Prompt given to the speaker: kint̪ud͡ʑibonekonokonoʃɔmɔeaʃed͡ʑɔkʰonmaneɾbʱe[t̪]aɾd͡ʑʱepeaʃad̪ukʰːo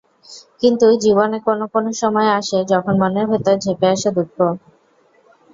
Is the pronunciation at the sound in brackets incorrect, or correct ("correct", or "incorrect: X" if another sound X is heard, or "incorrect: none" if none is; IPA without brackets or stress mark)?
correct